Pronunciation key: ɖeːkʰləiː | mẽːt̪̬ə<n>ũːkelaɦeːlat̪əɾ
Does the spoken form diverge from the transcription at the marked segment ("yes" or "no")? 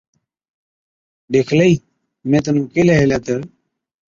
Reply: no